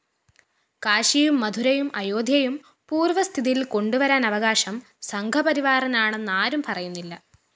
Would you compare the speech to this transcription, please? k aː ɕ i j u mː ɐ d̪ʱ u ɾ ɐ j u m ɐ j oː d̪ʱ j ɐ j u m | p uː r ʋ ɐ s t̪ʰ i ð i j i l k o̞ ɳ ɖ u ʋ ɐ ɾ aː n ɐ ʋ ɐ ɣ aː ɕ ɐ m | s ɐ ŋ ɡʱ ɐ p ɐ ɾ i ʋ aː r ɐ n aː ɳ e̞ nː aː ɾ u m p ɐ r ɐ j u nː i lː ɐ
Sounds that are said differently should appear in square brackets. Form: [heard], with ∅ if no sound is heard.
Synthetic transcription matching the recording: k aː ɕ i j u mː ɐ d̪ʱ u ɾ ɐ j u m ɐ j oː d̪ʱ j ɐ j u m | p uː r ʋ ɐ s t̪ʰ i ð i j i l k o̞ ɳ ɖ u ʋ ɐ ɾ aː n ɐ ʋ ɐ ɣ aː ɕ ɐ m | s ɐ ŋ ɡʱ ɐ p ɐ ɾ i ʋ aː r ɐ n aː ɳ e̞ nː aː ɾ u m p ɐ r ɐ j u nː i lː ɐ